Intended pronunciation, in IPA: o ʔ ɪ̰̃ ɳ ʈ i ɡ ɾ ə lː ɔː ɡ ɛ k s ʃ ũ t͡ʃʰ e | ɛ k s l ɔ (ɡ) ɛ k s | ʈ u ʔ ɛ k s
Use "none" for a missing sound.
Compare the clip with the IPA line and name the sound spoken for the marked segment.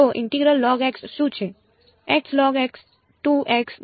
ɡ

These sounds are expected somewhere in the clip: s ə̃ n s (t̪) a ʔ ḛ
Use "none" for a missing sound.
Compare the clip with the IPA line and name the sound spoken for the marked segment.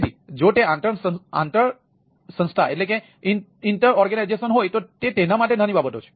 t̪ʰ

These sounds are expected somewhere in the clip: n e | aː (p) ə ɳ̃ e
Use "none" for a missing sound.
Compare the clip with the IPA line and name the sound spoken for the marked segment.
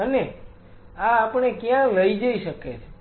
p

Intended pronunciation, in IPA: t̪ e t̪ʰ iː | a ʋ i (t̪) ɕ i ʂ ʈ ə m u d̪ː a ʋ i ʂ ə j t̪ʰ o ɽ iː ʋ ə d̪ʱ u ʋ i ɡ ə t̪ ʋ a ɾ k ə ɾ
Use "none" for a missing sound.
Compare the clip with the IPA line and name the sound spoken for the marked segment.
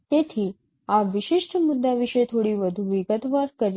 none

